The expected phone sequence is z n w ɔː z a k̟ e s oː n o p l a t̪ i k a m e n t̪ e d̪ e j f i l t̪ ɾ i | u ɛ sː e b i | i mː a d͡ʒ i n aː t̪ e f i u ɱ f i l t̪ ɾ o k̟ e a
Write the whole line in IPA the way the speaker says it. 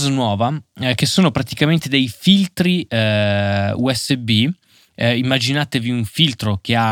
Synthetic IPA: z n w ɔː v a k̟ e s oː n o p ɾ a t̪ i k a m e n t̪ e d̪ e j f i l t̪ ɾ i | u ɛ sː e b i | i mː a d͡ʒ i n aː t̪ e v i u ɱ f i l t̪ ɾ o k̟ e a